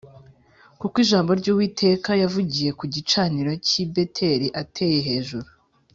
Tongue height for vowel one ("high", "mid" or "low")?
high